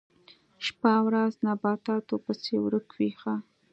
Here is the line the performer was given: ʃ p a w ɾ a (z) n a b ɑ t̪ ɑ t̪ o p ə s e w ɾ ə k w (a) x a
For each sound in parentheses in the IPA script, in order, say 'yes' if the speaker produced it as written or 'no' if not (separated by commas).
yes, no